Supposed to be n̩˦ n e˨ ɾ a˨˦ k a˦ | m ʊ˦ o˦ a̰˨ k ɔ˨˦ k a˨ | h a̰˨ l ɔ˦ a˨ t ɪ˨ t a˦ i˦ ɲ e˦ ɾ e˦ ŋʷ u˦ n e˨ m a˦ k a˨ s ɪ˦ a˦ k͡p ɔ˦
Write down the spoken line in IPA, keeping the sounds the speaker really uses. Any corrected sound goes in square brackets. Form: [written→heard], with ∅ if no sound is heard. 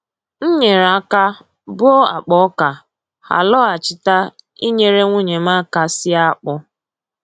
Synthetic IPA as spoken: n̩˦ [n→ɲ] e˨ ɾ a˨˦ k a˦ | [m→b] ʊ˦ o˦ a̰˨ [k→k͡p] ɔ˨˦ k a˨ | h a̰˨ l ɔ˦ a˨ [t→t͡ʃ] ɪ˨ t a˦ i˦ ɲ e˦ ɾ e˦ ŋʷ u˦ [n→ɲ] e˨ m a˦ k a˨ s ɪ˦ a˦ k͡p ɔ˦